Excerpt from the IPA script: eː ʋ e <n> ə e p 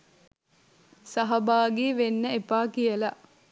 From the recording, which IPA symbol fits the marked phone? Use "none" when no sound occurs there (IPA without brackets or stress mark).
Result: nː